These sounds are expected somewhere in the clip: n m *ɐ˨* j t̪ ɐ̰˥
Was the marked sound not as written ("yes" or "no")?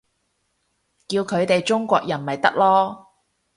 no